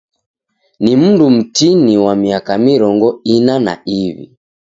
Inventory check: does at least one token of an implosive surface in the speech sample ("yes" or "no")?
no